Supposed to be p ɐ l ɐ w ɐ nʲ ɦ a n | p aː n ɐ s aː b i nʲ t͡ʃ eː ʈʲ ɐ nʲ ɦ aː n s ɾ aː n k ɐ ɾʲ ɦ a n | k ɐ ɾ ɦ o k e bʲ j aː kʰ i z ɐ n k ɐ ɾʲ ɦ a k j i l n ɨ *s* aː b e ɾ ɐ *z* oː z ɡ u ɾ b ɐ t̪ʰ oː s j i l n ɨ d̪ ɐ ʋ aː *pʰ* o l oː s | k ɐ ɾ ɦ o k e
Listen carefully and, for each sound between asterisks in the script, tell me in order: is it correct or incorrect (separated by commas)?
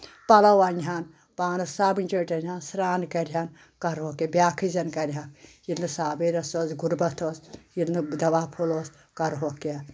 correct, incorrect, correct